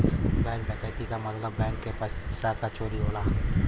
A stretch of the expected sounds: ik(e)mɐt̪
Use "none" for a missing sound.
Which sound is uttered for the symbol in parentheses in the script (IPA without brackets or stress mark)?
a